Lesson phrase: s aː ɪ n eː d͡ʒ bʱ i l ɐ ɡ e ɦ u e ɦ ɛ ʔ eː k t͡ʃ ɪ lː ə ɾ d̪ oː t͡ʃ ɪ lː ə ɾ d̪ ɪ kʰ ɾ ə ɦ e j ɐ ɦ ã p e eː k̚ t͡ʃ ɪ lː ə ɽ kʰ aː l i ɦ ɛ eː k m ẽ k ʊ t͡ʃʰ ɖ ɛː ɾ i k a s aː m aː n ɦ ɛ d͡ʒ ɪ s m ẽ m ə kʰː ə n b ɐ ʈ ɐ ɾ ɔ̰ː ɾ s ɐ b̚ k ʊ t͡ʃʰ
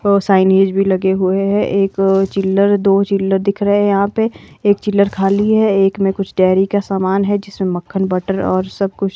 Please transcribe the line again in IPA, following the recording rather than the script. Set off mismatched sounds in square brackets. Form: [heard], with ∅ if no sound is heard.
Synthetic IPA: s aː ɪ n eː d͡ʒ bʱ i l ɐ ɡ e ɦ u e ɦ ɛ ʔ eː k t͡ʃ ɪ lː ə ɾ d̪ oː t͡ʃ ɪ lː ə ɾ d̪ ɪ kʰ ɾ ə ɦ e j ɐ ɦ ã p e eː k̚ t͡ʃ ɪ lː ə [ɾ] kʰ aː l i ɦ ɛ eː k m ẽ k ʊ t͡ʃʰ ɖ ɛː ɾ i k a s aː m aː n ɦ ɛ d͡ʒ ɪ s m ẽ m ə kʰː ə n b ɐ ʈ [ə] ɾ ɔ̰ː ɾ s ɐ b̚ k ʊ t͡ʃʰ

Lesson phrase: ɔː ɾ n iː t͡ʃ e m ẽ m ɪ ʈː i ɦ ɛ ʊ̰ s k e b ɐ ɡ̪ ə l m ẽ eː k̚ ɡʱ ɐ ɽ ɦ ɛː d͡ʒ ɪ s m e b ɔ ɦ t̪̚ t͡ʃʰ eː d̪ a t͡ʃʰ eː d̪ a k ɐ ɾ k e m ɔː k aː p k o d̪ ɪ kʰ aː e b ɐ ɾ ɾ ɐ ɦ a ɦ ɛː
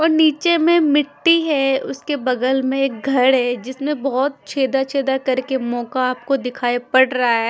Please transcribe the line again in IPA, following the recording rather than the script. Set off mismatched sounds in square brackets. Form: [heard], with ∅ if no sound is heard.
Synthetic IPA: ɔː ɾ n iː t͡ʃ e m ẽ m ɪ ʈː i ɦ ɛ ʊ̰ s k e b ɐ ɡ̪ ə l m ẽ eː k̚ ɡʱ ɐ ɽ ɦ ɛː d͡ʒ ɪ s m [ẽ] b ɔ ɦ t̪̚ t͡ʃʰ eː d̪ a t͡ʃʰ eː d̪ a k ɐ ɾ k e m ɔː k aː p k o d̪ ɪ kʰ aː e [p] ɐ [ɽ] ɾ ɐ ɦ a ɦ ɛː

